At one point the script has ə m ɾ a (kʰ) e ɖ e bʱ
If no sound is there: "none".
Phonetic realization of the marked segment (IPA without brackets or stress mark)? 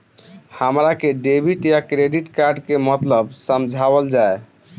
k